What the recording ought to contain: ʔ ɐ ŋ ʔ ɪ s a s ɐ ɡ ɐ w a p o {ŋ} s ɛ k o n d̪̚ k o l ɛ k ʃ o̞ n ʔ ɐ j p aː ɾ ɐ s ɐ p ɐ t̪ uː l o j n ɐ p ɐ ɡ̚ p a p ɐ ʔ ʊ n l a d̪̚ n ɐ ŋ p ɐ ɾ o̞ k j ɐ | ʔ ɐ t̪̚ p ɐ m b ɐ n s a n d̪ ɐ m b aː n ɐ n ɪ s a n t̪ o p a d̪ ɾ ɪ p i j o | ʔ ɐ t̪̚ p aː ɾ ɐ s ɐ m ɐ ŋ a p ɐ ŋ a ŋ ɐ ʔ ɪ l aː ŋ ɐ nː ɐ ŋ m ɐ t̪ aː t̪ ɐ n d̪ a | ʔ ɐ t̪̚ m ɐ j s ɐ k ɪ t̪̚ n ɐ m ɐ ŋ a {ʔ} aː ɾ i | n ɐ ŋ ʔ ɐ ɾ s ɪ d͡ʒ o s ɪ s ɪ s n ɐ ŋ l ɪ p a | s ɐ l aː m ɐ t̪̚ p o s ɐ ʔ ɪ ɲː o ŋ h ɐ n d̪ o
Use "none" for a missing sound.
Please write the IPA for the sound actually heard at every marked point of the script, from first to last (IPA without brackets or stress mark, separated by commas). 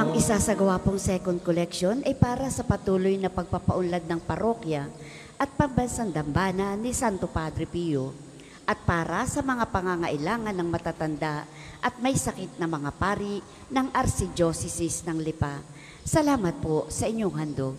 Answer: ŋ, p